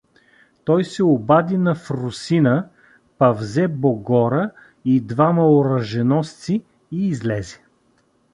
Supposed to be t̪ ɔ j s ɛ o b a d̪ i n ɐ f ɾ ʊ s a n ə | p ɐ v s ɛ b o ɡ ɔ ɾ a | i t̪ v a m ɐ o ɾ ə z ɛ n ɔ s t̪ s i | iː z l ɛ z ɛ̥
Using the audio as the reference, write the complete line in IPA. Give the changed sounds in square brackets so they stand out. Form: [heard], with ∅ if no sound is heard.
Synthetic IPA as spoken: t̪ ɔ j s ɛ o b a d̪ i n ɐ f ɾ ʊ s [i] n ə | p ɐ v [z] ɛ b o ɡ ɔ ɾ [ə] | i [d̪] v a m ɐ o ɾ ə [ʒ] ɛ n ɔ s t̪ s i | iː z l ɛ z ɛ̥